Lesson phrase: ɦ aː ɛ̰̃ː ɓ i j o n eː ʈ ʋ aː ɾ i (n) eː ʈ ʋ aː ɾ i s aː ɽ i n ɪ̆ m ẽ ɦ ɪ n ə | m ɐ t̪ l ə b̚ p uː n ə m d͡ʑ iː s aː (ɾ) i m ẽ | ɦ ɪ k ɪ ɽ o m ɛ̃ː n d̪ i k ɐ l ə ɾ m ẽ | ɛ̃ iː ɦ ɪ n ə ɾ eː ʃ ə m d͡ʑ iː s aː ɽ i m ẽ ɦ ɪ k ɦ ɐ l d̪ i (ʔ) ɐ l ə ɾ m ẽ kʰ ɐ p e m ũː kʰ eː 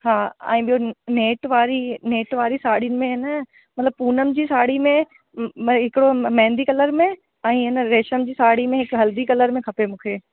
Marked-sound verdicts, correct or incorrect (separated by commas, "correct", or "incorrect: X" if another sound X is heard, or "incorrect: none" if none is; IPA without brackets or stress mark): correct, incorrect: ɽ, incorrect: k